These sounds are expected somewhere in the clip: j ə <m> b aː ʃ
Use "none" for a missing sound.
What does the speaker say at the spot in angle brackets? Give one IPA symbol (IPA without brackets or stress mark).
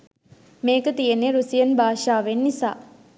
n